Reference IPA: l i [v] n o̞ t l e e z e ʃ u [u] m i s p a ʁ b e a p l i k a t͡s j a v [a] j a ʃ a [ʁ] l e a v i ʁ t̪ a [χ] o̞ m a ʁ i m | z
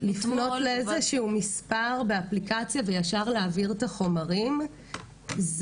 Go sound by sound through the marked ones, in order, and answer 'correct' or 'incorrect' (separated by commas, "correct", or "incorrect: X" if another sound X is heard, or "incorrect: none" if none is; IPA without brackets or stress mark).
incorrect: f, correct, incorrect: e, correct, correct